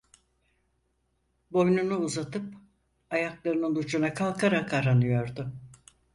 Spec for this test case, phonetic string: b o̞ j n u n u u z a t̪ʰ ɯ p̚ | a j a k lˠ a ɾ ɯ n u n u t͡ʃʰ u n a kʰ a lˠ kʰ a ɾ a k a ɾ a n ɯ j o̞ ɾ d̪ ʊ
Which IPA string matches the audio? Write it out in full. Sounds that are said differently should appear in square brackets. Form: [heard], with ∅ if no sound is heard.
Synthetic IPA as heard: b o̞ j n u n u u z a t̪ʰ ɯ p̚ | a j a k lˠ a ɾ ɯ n [ɯ] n u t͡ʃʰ u n a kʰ a lˠ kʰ a ɾ a k a ɾ a n ɯ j o̞ ɾ d̪ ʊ